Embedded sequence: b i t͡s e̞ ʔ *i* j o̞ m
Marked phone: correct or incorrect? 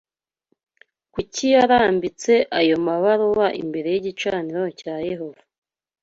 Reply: incorrect